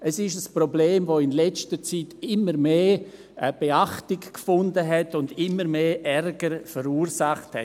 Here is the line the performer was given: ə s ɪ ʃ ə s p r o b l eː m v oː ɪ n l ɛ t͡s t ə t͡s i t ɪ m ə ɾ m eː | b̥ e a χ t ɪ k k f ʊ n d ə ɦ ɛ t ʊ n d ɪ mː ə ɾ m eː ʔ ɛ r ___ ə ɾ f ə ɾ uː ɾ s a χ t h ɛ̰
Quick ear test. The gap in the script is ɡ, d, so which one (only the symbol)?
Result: ɡ